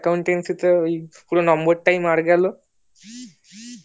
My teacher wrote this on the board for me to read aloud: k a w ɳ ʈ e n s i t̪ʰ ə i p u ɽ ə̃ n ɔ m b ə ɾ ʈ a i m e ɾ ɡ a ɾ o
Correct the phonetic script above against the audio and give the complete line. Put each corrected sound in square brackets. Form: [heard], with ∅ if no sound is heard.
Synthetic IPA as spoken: k a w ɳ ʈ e n s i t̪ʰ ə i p u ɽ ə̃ n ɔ m b ə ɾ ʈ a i m [a] ɾ ɡ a [l] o